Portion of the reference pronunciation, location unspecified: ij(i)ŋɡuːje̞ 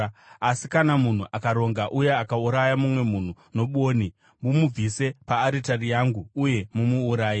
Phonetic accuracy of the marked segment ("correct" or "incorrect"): incorrect